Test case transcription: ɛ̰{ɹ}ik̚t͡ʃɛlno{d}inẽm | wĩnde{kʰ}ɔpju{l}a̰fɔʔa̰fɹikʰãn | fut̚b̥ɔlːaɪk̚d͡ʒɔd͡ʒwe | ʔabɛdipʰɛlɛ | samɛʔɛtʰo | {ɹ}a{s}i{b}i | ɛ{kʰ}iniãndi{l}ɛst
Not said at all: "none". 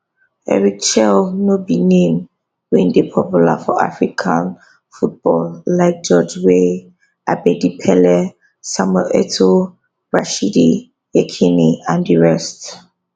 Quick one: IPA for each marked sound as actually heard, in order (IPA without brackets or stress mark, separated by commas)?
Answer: ɹ, b, pʰ, l, ɹ, ʃ, d, kʰ, ɹ